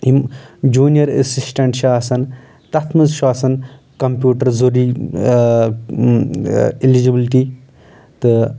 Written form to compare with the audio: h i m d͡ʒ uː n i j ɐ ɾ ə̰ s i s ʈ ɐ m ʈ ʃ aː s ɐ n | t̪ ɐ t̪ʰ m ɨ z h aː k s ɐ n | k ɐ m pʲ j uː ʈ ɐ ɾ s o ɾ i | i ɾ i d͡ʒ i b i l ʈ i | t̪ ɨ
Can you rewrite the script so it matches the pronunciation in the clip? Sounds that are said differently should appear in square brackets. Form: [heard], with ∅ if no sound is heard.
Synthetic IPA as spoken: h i m d͡ʒ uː n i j ɐ ɾ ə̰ s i s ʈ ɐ [ɳ] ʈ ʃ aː s ɐ n | t̪ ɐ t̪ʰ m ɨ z [ʃ] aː [∅] s ɐ n | k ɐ m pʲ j uː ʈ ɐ ɾ [z] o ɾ i | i [l] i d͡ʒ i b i l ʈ i | t̪ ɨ